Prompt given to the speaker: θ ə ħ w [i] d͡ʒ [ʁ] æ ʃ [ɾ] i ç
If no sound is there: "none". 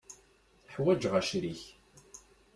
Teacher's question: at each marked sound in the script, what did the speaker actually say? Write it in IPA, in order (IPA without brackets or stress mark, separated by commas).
æ, ʁ, ɾ